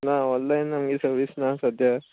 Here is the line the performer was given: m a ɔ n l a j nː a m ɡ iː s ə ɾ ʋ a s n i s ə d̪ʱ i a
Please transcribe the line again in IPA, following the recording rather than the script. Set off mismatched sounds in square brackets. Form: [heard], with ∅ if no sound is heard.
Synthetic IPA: [n] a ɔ n l a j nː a m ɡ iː s ə ɾ ʋ [i] s n [a] s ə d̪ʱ [j] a